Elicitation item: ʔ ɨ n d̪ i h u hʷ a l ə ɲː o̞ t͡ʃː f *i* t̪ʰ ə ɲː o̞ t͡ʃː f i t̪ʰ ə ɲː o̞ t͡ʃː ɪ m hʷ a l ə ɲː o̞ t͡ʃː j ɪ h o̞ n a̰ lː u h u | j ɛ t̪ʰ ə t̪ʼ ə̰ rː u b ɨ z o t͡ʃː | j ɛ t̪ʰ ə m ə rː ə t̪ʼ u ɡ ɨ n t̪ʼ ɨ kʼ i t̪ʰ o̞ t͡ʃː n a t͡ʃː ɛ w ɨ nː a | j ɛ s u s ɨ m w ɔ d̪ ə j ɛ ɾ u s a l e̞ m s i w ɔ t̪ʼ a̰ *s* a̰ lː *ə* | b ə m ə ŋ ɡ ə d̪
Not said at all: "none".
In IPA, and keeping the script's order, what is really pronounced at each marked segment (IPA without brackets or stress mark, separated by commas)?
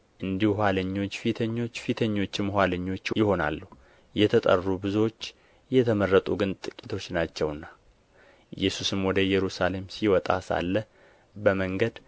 i, s, ə